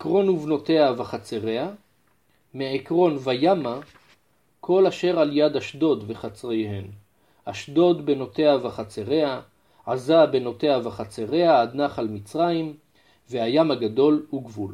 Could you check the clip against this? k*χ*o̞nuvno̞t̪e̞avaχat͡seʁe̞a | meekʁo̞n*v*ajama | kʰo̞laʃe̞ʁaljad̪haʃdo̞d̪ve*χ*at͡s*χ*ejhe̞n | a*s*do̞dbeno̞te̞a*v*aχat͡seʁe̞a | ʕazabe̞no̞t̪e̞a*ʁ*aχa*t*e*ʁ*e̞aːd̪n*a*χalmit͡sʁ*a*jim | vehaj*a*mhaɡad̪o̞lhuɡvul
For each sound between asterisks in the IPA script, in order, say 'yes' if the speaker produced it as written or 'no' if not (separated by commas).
no, yes, yes, no, no, yes, no, no, yes, yes, yes, yes